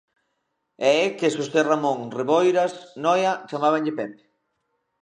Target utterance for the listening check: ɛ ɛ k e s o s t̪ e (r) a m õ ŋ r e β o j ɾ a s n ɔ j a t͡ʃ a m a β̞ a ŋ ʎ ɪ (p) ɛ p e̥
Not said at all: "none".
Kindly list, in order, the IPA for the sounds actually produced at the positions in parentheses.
r, p

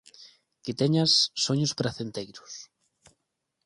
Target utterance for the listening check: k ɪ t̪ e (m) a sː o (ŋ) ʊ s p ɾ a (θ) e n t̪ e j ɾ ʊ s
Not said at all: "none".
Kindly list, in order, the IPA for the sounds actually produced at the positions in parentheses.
ɲ, ɲ, θ

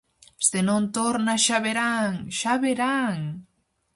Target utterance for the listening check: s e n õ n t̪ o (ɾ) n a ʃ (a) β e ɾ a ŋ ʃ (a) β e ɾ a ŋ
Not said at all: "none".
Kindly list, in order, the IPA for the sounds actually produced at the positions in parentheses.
ɾ, a, a

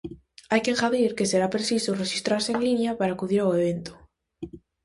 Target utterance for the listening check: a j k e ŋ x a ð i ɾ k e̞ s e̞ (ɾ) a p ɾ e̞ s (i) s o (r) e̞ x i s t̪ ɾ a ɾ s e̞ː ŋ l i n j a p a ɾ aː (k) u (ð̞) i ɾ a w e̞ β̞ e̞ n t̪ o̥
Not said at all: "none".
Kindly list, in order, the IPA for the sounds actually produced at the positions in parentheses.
ɾ, i, r, k, ð̞

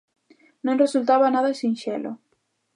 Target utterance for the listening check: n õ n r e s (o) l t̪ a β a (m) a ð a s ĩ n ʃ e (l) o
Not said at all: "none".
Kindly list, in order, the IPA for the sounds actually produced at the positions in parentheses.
u, n, l

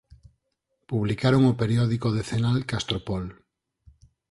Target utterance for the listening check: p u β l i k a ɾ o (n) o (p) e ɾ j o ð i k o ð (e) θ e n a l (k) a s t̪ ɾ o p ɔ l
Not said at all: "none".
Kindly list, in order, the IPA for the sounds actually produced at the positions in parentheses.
ŋ, p, e, k

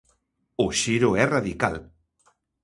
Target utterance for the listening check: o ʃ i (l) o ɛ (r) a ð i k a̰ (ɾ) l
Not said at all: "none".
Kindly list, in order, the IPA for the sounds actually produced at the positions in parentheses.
ɾ, r, none

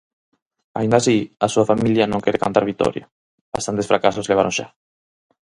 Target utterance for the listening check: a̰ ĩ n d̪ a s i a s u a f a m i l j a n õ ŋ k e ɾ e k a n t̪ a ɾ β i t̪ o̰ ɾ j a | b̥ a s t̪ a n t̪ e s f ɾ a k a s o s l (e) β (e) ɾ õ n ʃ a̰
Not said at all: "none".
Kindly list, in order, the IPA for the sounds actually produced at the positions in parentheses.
e, a

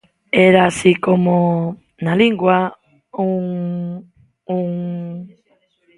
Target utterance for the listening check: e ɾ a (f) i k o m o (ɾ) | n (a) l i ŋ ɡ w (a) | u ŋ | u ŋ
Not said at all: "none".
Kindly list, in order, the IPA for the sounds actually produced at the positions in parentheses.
s, none, a, a

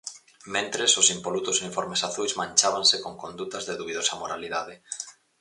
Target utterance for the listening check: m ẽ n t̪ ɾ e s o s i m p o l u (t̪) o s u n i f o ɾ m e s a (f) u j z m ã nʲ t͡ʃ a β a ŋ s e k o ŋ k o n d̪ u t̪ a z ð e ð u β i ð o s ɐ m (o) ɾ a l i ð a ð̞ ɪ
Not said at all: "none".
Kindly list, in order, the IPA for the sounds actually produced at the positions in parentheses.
t̪, θ, o

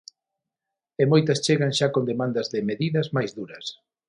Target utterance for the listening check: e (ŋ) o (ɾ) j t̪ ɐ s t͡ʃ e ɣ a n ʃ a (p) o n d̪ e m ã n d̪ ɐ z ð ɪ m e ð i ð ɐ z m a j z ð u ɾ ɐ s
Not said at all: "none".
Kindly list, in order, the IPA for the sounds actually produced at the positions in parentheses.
m, none, k

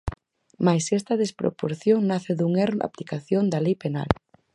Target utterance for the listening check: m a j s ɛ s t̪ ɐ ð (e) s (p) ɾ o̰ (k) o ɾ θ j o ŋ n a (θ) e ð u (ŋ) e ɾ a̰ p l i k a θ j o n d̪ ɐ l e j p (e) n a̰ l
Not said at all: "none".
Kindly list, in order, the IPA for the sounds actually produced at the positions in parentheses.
e, p, p, θ, ŋ, e

